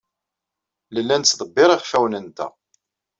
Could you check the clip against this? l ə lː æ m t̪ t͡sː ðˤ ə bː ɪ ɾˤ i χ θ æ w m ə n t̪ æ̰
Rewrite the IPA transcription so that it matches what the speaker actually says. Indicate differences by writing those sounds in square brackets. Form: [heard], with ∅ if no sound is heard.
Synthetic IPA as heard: l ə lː æ [n] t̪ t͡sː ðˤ ə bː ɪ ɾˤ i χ [f] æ w [n] ə n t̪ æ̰